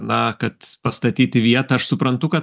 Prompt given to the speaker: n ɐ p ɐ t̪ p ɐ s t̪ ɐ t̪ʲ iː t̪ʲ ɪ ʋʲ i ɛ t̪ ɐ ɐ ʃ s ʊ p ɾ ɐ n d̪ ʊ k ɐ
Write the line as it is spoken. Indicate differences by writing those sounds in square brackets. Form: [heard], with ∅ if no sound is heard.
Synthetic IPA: n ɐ [k] ɐ t̪ p ɐ s t̪ ɐ t̪ʲ iː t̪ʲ ɪ ʋʲ i ɛ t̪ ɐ ɐ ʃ s ʊ p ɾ ɐ n [t̪] ʊ k ɐ